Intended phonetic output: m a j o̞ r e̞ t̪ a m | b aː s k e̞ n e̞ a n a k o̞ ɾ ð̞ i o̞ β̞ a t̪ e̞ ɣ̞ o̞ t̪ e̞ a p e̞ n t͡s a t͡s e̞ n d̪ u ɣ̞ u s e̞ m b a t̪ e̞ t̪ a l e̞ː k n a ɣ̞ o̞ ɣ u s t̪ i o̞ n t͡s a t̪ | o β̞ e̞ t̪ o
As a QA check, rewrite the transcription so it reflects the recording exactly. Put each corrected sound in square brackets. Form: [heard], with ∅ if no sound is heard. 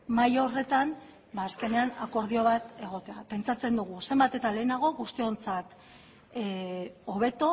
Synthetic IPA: m a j o̞ r e̞ t̪ a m | b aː s k e̞ n e̞ a n a k o̞ ɾ ð̞ i o̞ β̞ a t̪ e̞ ɣ̞ o̞ t̪ e̞ a p e̞ n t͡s a t͡s e̞ n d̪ u ɣ̞ u s e̞ m b a t̪ e̞ t̪ a l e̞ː [∅] n a ɣ̞ o̞ ɣ u s t̪ i o̞ n t͡s a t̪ | o β̞ e̞ t̪ o